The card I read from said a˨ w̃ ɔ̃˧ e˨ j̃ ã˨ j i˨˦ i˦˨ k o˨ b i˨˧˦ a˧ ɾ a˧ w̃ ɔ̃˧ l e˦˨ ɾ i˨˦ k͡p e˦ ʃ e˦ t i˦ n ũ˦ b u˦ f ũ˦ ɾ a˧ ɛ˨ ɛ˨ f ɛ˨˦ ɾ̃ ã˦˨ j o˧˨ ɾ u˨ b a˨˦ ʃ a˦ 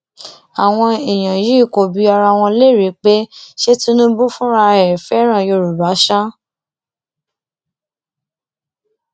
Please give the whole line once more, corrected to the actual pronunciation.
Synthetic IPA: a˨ w̃ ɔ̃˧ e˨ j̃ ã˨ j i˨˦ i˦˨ k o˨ b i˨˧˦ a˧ ɾ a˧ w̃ ɔ̃˧ l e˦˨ ɾ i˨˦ k͡p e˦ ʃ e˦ t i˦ n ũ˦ b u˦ f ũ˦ ɾ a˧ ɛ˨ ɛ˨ f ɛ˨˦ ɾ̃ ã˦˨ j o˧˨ ɾ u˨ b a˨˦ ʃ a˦